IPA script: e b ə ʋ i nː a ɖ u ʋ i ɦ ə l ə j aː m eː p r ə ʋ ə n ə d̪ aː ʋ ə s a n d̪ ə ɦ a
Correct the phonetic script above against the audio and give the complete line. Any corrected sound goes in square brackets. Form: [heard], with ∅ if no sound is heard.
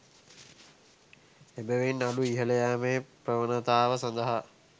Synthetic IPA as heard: e b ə ʋ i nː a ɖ u [∅] i ɦ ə l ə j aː m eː p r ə ʋ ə n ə [t̪] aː ʋ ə s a n d̪ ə ɦ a

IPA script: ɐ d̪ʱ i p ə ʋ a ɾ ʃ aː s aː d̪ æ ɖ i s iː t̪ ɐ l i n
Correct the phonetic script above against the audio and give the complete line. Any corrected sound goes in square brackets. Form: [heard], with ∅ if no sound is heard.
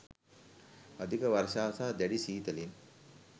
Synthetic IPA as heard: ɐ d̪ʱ i [k] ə ʋ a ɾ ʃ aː s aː d̪ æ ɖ i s iː t̪ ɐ l i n

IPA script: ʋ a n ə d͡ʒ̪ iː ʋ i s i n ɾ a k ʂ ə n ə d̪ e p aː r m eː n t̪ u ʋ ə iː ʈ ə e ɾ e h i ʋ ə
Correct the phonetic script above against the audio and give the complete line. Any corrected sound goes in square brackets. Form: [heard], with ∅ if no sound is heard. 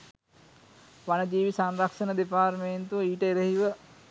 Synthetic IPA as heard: ʋ a n ə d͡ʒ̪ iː ʋ i s [a] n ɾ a k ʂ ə n ə d̪ e p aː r m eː n t̪ u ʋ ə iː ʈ ə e ɾ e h i ʋ ə

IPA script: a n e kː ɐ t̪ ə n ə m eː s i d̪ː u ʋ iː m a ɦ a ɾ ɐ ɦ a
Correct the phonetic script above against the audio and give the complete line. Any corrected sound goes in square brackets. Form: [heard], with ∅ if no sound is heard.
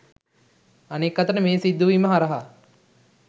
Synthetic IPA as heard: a n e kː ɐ t̪ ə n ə m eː s i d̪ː u ʋ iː m [ə] ɦ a ɾ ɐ ɦ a

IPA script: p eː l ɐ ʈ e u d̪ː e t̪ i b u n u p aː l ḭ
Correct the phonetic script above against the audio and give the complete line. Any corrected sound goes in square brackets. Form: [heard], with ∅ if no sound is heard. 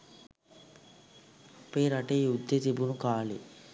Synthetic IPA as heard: p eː [ɾ] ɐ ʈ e u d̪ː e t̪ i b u n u [k] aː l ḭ

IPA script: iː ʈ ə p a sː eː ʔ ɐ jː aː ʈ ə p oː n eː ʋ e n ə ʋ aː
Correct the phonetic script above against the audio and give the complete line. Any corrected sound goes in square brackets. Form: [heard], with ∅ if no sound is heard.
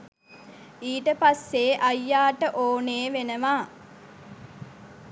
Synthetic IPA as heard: iː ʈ ə p a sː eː ʔ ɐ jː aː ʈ ə [ʔ] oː n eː ʋ e n ə ʋ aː

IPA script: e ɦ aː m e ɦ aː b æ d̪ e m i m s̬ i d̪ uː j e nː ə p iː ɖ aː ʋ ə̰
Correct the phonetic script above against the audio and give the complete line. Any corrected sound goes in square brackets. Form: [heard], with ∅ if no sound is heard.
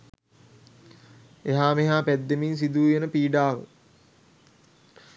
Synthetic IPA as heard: e ɦ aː m e ɦ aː [p] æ [d̪ː] e m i [n] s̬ i d̪ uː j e [n] ə p iː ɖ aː ʋ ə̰

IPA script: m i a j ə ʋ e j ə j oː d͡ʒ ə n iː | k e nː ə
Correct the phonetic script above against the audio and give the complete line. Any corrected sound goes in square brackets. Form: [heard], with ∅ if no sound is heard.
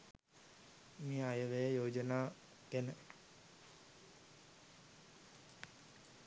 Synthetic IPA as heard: m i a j ə ʋ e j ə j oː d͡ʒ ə n [aː] | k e [n] ə

